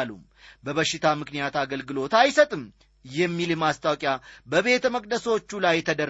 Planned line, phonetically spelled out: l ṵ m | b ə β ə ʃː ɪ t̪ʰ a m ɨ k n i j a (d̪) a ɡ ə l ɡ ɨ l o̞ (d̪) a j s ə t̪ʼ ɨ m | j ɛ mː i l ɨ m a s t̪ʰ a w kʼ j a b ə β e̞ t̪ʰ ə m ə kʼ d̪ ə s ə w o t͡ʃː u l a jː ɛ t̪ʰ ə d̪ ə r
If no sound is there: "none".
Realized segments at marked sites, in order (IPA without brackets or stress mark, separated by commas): t̪, t̪